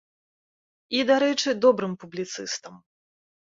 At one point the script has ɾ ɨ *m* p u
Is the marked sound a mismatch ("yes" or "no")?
no